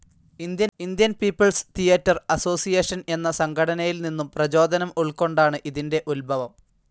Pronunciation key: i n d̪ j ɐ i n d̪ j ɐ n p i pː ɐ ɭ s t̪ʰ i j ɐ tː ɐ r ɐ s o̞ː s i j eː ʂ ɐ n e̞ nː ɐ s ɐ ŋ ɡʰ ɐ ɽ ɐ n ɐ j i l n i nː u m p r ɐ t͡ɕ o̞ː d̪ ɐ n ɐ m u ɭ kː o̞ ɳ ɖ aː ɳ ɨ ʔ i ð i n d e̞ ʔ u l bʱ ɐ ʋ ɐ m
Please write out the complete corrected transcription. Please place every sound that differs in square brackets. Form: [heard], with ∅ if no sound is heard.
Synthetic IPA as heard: i n d̪ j ɐ i n d̪ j ɐ n p [iː] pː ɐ ɭ s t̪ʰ i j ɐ tː ɐ r ɐ s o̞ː s i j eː ʂ ɐ n e̞ nː ɐ s ɐ ŋ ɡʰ ɐ ɽ ɐ n ɐ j i l n i nː u m p r ɐ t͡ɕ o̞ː d̪ ɐ n ɐ m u ɭ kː o̞ ɳ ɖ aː ɳ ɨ ʔ i ð i n d e̞ ʔ u l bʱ ɐ ʋ ɐ m